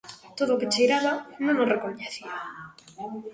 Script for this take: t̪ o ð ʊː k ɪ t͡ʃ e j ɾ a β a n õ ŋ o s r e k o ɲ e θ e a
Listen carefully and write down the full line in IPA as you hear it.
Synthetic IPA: t̪ o ð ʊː k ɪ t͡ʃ e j ɾ a β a n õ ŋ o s r e k o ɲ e θ i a